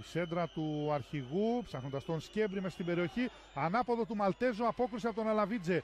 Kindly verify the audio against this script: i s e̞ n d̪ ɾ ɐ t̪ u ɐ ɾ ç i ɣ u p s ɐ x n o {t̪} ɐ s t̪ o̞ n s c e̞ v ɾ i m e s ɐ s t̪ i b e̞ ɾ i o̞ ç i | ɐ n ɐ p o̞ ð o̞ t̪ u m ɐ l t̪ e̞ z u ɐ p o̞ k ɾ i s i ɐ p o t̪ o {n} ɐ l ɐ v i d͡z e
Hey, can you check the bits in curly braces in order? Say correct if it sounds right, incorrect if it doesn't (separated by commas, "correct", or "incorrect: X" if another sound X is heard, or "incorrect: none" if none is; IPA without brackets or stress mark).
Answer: incorrect: d̪, correct